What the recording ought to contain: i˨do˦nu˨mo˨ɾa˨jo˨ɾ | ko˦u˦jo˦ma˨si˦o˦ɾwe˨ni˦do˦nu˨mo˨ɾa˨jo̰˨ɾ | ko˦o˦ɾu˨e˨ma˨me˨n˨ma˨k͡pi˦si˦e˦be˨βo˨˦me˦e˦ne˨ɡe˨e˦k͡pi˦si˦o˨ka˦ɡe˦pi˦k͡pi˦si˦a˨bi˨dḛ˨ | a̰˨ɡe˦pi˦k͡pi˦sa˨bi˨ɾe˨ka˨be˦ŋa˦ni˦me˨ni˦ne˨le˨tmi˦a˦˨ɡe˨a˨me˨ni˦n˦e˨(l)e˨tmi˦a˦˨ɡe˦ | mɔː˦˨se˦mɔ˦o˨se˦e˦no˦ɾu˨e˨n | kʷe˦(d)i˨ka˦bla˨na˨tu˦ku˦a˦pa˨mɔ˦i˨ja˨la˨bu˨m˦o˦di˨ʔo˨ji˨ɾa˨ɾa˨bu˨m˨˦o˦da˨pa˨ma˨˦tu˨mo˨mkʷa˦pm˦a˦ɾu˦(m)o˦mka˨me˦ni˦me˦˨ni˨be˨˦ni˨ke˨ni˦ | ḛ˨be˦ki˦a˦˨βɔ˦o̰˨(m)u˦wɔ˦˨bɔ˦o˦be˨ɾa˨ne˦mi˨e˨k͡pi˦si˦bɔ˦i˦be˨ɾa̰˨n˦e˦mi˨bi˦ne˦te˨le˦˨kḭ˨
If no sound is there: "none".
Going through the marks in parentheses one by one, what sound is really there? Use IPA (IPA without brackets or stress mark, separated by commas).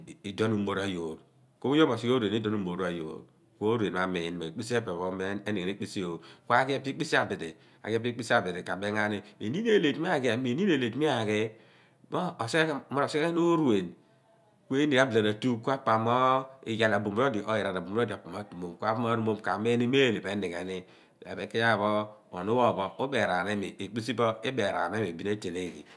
l, n, m, n